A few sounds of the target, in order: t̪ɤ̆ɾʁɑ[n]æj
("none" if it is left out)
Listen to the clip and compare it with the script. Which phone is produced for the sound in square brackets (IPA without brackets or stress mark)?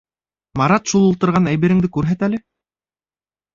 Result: n